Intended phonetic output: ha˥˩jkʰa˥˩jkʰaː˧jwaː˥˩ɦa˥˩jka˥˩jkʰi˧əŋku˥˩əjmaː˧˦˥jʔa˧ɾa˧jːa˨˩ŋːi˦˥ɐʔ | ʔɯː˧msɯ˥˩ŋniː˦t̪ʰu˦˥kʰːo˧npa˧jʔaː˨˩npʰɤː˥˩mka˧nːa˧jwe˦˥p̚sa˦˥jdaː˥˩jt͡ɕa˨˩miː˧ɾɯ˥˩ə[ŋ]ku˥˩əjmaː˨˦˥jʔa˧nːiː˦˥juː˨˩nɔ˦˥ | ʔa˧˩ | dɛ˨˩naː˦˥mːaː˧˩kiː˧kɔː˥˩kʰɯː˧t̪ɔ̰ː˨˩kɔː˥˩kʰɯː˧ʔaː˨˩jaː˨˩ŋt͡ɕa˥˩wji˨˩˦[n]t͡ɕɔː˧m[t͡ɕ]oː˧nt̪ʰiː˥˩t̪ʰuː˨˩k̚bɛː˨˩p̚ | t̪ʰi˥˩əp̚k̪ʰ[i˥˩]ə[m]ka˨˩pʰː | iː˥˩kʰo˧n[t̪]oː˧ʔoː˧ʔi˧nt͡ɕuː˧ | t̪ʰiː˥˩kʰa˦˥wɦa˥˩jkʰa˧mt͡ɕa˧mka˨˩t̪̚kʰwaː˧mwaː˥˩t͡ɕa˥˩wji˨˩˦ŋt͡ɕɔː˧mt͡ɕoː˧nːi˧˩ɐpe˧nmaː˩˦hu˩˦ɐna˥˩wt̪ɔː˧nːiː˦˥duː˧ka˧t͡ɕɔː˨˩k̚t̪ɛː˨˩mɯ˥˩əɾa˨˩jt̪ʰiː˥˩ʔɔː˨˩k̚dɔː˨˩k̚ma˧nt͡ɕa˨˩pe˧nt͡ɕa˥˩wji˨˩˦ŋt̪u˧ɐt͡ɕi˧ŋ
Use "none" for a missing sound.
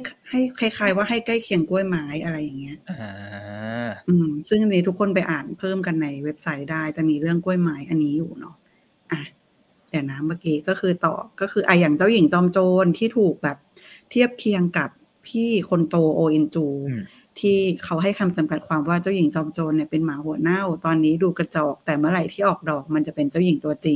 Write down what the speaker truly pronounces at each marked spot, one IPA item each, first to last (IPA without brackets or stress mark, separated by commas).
ŋ, ŋ, t͡ɕ, i˧, ŋ, t̪